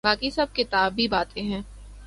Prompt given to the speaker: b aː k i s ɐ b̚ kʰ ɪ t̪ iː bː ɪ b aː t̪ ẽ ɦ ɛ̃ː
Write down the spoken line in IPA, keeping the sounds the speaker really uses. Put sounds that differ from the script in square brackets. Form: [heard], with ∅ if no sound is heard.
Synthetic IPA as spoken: b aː k i s ɐ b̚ [k] ɪ t̪ [aː] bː [i] b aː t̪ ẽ ɦ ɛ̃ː